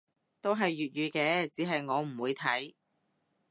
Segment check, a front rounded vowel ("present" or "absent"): present